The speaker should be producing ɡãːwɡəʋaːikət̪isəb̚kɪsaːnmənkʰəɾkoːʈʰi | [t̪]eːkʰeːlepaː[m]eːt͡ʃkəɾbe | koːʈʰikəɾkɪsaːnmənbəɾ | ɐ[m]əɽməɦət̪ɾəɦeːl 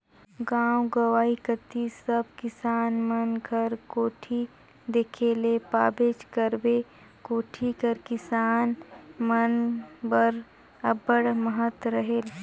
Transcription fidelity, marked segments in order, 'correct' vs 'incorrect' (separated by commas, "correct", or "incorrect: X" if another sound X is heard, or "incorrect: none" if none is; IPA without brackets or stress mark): incorrect: d̪, incorrect: b, incorrect: b